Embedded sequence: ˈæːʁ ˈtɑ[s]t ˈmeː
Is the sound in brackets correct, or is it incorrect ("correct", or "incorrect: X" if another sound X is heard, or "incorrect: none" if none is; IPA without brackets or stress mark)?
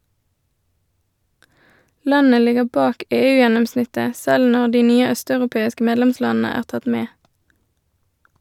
incorrect: none